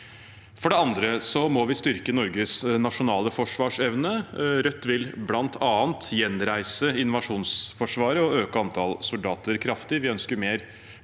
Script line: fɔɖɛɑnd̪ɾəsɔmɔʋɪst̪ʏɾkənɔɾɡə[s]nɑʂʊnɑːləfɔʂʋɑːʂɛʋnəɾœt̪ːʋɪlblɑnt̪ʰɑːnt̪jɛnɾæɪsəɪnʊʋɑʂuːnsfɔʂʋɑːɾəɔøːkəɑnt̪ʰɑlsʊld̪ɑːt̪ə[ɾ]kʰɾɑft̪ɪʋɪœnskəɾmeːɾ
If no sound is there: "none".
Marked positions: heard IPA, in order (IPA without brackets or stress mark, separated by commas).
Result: s, ɾ